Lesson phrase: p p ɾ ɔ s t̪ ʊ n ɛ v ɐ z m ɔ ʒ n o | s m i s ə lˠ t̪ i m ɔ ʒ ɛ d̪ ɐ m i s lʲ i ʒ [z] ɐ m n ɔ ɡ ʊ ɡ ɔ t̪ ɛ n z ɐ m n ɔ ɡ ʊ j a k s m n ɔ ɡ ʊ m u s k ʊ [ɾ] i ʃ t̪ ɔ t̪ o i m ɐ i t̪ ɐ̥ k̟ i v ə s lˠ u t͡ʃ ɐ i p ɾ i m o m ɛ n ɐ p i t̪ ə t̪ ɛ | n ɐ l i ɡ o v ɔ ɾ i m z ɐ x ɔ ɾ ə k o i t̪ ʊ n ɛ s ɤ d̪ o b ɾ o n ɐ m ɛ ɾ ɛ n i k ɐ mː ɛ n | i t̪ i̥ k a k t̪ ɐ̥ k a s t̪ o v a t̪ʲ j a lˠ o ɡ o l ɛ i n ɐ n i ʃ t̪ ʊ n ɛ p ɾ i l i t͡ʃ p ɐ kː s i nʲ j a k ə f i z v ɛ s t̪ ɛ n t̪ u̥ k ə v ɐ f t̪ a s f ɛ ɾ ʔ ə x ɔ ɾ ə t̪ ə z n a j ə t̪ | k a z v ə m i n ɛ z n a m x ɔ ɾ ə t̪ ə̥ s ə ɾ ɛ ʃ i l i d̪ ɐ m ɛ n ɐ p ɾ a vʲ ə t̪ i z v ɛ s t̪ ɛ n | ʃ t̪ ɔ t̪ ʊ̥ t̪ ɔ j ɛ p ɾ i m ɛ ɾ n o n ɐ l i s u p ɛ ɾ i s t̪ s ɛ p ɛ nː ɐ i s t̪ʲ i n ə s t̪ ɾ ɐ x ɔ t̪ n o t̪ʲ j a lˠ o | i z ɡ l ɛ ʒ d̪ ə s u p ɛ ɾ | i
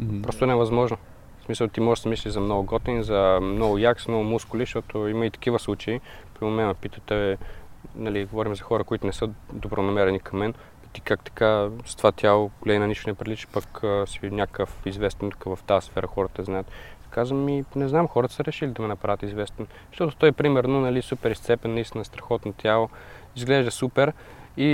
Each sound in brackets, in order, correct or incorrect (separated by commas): correct, incorrect